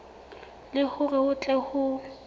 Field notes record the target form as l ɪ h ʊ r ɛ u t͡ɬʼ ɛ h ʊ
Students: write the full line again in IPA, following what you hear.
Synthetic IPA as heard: l ɪ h ʊ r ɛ ʊ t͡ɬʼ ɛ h ʊ